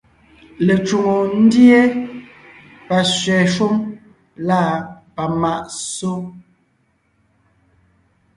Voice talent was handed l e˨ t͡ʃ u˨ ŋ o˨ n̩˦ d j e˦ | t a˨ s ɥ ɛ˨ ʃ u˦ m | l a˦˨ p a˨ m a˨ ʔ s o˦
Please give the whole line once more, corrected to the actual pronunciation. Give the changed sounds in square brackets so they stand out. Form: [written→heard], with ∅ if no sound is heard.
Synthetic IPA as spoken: l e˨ t͡ʃ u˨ ŋ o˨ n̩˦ d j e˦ | [t→p] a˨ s ɥ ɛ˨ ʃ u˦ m | l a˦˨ p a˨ m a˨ ʔ s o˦